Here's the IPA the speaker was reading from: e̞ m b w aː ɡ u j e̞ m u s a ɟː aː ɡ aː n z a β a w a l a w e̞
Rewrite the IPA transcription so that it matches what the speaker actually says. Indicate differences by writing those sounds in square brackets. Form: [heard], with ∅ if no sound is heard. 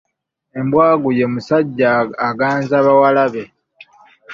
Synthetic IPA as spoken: e̞ m b w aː ɡ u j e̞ m u s a ɟː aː ɡ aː n z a β a w a l a [β] e̞